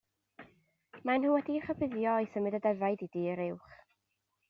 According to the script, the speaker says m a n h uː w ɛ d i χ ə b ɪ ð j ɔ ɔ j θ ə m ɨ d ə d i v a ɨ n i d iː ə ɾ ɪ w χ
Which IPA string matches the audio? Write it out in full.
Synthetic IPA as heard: m a n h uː w ɛ d i χ ə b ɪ ð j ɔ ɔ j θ ə m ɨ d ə d ɛ v a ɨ d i d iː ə ɾ ɪ w χ